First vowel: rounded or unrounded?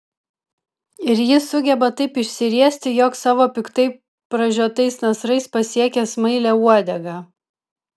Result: unrounded